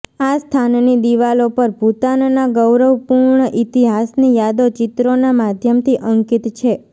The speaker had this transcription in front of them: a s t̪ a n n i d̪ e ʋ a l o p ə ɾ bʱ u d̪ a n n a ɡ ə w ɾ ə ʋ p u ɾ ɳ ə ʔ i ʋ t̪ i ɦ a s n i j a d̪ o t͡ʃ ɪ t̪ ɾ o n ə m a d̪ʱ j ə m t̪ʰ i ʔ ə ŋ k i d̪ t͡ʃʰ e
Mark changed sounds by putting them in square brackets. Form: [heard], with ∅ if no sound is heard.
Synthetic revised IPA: a s [t̪ʰ] a n n i d̪ [i] ʋ a l o p ə ɾ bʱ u [t̪] a n n a ɡ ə w ɾ ə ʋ p u ɾ ɳ ə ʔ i [∅] t̪ i ɦ a s n i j a d̪ o t͡ʃ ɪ t̪ ɾ o n [a] m a d̪ʱ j ə m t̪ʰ i ʔ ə ŋ k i [t̪] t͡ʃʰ e

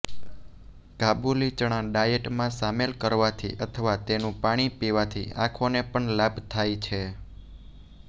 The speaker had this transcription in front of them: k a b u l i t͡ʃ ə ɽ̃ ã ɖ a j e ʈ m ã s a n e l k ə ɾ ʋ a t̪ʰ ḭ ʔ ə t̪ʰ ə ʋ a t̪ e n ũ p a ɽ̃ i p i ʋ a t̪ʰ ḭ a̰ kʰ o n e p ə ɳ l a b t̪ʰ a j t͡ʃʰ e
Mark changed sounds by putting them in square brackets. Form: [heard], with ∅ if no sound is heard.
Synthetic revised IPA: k a b u l i t͡ʃ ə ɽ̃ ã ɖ a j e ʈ m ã s a [m] e l k ə ɾ ʋ a t̪ʰ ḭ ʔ ə t̪ʰ ə ʋ a t̪ e n ũ p a ɽ̃ i p i ʋ a t̪ʰ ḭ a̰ kʰ o n e p ə ɳ l a b t̪ʰ a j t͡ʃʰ e

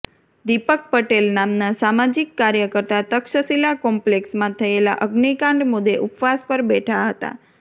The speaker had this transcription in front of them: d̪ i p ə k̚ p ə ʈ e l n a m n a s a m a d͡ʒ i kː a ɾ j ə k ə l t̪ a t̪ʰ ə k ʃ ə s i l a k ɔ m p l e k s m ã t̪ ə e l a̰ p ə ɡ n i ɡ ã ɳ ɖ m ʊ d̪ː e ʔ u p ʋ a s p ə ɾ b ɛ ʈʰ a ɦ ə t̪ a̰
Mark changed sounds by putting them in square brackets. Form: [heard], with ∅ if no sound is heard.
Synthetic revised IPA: d̪ i p ə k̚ p ə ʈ e l n a m n a s a m a d͡ʒ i kː a ɾ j ə k ə [ɾ] t̪ a [t̪] ə k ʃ ə s i l a k ɔ m p l e k s m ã [t̪ʰ] ə e l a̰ [ʔ] ə ɡ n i [k] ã ɳ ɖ m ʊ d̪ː e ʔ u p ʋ a s p ə ɾ b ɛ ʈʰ a ɦ ə t̪ a̰

